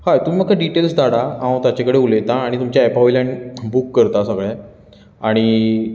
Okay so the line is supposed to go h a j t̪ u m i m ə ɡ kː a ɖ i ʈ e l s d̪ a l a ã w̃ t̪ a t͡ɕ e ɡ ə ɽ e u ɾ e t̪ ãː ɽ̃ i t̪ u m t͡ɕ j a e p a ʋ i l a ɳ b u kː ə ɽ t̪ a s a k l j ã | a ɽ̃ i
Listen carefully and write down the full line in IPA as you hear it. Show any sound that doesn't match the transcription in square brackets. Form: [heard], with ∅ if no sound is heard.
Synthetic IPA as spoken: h a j t̪ u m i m ə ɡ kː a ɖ i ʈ e l s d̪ a [ɽ] a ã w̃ t̪ a t͡ɕ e [k] ə ɽ e u [l] e t̪ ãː ɽ̃ i t̪ u m t͡ɕ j a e p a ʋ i l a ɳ b u kː ə [ɾ] t̪ a s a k [ɭ] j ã | a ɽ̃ i